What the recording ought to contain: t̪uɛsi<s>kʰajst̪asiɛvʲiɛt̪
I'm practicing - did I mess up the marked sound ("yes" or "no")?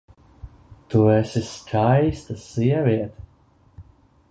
no